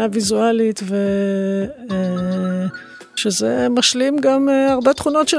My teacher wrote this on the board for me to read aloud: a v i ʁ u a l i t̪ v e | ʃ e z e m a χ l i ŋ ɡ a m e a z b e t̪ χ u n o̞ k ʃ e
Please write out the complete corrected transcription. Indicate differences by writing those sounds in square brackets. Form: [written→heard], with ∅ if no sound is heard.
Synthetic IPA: a v i [ʁ→z] u a l i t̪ v e | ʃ e z e m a [χ→ʃ] l i [ŋ→m] ɡ a m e a [z→ʁ] b e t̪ χ u n o̞ [k→t] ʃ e